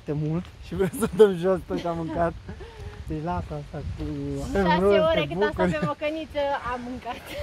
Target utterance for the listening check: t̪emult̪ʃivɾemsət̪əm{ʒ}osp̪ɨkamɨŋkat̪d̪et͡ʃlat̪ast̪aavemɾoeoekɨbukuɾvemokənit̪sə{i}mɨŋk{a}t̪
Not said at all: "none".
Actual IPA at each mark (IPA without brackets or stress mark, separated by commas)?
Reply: ʒ, a, a